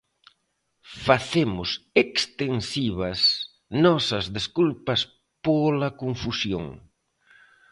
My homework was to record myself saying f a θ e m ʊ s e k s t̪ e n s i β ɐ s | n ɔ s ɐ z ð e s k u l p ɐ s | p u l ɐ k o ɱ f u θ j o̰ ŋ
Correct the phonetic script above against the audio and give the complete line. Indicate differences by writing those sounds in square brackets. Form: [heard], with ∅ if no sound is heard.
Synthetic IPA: f a θ e m ʊ s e k s t̪ e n s i β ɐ s | n ɔ s ɐ z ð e s k u l p ɐ s | p [o] l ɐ k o ɱ f u [s] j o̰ ŋ